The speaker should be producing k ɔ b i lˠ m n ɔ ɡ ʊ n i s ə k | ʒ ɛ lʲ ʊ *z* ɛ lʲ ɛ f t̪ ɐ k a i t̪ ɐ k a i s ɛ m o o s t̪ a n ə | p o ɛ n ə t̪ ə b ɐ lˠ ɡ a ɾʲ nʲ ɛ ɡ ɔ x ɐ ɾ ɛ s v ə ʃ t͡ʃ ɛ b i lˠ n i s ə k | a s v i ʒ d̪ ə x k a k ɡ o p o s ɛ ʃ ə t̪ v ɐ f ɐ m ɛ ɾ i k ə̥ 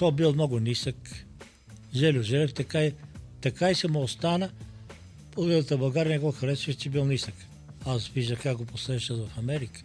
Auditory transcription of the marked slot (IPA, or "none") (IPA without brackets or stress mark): ʒ